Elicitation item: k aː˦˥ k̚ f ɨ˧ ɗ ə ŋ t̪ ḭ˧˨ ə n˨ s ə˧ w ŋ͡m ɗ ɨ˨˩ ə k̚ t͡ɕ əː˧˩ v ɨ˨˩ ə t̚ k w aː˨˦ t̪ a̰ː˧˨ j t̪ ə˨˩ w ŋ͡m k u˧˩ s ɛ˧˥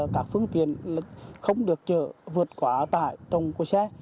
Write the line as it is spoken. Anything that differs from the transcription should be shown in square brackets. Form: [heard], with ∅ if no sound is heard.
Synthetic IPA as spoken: k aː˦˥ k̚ f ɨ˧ [∅] ə ŋ t̪ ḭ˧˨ ə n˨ [x] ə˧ w ŋ͡m ɗ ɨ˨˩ ə k̚ t͡ɕ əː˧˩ v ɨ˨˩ ə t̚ k w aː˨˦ t̪ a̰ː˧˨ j t̪ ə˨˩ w ŋ͡m k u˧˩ s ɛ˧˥

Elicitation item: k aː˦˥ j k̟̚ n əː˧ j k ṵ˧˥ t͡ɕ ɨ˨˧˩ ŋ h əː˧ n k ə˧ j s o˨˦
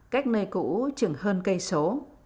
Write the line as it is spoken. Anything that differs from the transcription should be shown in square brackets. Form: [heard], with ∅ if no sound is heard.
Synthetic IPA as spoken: k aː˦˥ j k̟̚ n əː˧ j k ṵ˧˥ t͡ɕ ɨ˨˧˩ ŋ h əː˧ n k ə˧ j s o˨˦

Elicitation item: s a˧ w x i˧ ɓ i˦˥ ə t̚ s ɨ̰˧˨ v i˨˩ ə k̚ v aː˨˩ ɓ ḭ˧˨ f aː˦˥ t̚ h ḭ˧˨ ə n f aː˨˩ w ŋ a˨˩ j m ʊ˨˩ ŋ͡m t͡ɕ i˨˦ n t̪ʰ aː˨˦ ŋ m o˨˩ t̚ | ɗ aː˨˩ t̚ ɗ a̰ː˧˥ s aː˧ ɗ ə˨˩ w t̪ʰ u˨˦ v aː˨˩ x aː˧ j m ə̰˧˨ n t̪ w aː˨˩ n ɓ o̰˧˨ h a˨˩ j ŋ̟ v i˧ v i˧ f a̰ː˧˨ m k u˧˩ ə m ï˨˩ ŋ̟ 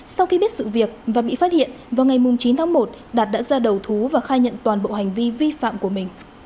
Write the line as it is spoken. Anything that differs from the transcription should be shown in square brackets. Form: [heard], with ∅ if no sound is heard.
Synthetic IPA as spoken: s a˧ w x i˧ ɓ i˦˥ ə t̚ s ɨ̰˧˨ v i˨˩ ə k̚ v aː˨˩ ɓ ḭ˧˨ f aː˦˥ t̚ h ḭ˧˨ ə n [v] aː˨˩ w ŋ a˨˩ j m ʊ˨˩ ŋ͡m t͡ɕ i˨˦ n t̪ʰ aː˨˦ ŋ m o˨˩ t̚ | ɗ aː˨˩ t̚ ɗ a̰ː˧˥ [z] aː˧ ɗ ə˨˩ w t̪ʰ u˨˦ v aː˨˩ x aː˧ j [ɲ] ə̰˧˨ n t̪ w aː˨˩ n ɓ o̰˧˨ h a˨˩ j ŋ̟ v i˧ v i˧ f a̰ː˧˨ m k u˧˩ ə m ï˨˩ ŋ̟

